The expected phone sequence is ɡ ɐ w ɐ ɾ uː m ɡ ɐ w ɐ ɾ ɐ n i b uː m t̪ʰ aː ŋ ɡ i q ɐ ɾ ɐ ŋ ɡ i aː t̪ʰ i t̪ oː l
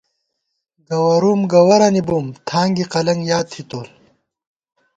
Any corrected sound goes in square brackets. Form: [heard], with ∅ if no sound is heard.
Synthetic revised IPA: ɡ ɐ w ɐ ɾ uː m ɡ ɐ w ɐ ɾ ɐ n i b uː m t̪ʰ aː ŋ ɡ i q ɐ [l] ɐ ŋ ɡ [j] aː t̪ʰ i t̪ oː l

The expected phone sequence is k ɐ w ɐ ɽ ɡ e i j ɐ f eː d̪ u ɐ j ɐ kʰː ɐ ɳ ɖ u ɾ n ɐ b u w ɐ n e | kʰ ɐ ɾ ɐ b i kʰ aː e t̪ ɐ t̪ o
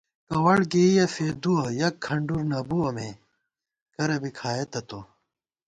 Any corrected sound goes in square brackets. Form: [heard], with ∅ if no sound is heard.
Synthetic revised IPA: k ɐ w ɐ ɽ ɡ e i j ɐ f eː d̪ u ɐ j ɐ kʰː ɐ ɳ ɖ u ɾ n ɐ b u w ɐ [m] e | [k] ɐ ɾ ɐ b i kʰ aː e t̪ ɐ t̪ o

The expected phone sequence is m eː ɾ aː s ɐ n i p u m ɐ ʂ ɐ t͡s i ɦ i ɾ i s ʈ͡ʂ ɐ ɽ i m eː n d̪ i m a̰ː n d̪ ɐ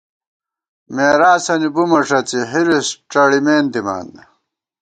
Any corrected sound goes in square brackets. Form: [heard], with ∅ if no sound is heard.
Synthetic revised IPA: m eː ɾ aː s ɐ n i [b] u m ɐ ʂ ɐ t͡s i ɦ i ɾ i s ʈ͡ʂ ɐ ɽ i m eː n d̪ i m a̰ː n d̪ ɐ

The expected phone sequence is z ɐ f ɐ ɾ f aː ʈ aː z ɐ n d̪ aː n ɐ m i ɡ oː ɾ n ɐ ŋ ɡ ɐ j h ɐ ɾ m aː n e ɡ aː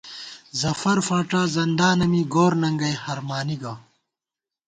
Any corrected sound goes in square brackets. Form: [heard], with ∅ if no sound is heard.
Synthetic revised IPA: z ɐ f ɐ ɾ f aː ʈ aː z ɐ n d̪ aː n ɐ m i ɡ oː ɾ n ɐ ŋ ɡ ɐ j h ɐ ɾ m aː n [i] ɡ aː

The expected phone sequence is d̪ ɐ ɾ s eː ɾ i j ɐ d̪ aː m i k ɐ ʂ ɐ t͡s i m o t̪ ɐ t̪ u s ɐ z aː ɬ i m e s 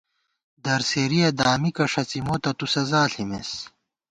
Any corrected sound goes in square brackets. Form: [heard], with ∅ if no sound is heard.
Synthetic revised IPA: d̪ ɐ ɾ s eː ɾ i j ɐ d̪ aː m i k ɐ ʂ ɐ t͡s i m o t̪ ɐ t̪ u s ɐ z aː ɬ i m e s

